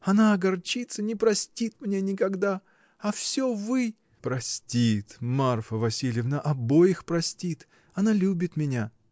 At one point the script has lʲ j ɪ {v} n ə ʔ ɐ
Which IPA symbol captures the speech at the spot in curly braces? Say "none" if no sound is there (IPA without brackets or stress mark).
v